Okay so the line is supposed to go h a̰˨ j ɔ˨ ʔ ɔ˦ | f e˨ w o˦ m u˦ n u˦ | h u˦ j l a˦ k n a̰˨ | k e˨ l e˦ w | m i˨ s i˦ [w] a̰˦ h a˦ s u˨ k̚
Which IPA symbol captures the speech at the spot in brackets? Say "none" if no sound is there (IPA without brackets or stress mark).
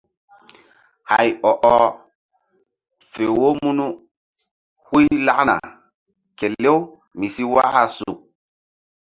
w